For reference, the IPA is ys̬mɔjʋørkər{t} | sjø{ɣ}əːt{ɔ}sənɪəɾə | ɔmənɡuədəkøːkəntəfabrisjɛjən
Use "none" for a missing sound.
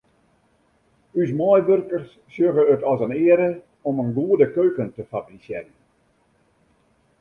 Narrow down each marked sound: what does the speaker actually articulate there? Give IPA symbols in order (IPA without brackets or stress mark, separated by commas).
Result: s, ɣ, ɔ